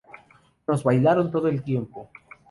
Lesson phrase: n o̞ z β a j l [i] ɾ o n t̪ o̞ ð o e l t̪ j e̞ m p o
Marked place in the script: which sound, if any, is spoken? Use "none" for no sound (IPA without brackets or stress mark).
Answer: a